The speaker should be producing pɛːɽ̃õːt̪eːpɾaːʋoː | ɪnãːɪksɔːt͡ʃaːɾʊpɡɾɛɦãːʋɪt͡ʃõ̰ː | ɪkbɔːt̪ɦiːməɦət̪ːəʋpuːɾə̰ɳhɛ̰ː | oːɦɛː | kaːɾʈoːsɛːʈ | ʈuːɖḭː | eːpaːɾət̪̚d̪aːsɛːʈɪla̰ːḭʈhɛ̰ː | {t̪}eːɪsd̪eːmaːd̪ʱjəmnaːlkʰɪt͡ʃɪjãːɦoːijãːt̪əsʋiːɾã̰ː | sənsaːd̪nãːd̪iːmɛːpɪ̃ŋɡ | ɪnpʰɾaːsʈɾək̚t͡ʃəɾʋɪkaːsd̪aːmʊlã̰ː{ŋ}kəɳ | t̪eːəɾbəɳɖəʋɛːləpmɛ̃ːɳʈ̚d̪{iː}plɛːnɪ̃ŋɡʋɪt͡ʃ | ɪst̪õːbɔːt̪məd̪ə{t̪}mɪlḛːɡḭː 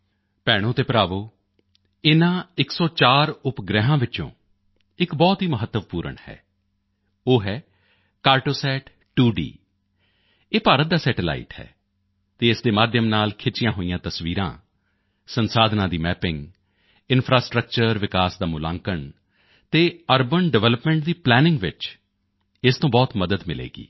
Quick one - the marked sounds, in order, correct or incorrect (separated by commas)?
correct, correct, correct, incorrect